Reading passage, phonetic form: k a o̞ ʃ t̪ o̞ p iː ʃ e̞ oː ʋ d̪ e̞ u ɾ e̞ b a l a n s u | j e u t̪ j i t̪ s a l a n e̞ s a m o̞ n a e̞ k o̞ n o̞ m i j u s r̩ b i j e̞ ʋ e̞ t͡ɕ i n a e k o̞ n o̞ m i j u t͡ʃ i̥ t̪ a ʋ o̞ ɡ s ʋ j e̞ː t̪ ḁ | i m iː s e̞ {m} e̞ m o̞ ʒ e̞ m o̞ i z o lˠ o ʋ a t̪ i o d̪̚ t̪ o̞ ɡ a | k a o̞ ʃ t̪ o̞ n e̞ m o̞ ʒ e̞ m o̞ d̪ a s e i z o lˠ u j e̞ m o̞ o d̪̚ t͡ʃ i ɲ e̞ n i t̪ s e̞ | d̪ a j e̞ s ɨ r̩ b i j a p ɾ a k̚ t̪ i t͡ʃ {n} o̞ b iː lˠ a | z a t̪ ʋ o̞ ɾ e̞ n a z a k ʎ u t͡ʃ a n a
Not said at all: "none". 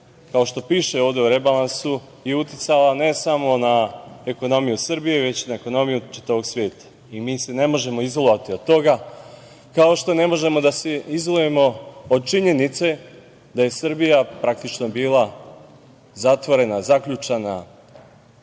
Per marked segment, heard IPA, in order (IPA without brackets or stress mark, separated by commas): n, n